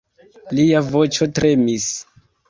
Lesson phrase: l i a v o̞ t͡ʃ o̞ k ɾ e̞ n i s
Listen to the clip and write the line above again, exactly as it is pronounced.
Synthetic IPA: l i a v o̞ t͡ʃ o̞ t ɾ e̞ m i s